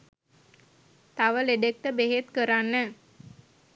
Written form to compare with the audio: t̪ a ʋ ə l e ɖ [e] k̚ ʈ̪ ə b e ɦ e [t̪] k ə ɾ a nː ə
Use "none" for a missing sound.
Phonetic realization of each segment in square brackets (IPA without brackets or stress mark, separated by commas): e, t̪